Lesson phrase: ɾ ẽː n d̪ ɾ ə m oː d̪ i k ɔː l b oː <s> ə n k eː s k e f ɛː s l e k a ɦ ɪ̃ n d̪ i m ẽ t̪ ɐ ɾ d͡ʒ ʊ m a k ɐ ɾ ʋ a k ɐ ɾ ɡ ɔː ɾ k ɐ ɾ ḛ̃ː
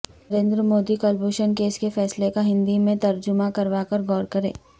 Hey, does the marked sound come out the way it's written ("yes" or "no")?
no